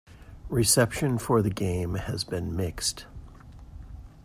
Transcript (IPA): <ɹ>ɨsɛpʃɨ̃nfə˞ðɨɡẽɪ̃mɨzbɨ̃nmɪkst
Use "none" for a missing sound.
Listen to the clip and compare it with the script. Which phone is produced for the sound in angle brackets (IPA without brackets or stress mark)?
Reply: ɹ